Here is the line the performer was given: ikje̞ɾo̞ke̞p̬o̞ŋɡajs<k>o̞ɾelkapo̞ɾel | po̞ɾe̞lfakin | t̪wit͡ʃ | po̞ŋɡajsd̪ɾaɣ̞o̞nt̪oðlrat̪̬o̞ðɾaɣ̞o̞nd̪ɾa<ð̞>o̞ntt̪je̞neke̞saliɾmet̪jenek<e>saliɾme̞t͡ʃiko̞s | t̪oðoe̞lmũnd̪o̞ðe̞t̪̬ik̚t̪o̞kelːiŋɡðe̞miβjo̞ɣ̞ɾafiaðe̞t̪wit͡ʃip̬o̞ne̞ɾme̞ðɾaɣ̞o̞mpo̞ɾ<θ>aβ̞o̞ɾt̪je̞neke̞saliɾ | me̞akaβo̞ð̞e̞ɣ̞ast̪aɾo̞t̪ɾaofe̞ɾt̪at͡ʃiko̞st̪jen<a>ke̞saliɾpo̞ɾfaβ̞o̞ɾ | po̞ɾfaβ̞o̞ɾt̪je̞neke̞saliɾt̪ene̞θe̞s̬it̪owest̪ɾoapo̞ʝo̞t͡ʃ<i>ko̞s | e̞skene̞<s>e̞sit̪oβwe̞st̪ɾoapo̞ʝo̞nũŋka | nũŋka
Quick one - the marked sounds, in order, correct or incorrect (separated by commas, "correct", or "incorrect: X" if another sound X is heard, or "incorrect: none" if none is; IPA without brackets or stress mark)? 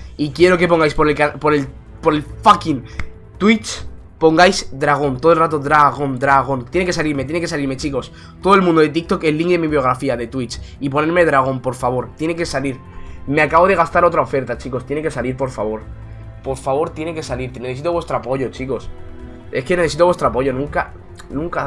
incorrect: p, incorrect: ɣ̞, correct, incorrect: f, incorrect: e, correct, incorrect: θ